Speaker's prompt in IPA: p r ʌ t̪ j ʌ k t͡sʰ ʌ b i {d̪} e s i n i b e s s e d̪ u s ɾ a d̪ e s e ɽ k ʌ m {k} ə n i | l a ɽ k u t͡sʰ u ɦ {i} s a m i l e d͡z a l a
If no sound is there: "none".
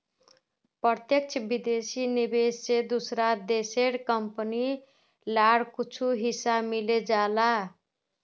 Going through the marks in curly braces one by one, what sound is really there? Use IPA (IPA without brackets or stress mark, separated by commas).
d̪, p, i